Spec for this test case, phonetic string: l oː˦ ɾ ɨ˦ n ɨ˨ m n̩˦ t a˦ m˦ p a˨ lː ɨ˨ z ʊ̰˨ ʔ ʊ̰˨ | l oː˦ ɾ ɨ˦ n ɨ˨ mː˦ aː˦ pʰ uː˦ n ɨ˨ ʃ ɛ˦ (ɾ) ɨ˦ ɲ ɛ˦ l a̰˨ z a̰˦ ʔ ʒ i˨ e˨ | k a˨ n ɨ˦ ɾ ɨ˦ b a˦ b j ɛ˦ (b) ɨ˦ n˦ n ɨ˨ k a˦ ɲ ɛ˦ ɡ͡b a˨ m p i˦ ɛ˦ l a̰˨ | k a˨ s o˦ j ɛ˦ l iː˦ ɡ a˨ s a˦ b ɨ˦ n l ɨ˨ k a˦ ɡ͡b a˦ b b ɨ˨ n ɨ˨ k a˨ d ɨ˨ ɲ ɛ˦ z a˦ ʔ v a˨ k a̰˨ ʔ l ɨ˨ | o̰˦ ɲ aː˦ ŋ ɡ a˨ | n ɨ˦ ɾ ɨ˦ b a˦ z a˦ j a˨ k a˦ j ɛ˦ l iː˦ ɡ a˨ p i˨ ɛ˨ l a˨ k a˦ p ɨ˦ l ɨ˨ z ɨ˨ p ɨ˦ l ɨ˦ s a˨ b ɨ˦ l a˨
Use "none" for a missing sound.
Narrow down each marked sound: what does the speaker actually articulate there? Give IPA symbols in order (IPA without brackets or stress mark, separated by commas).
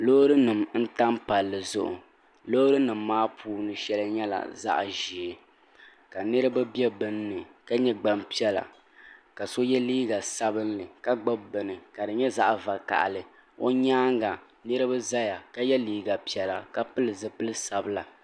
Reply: l, b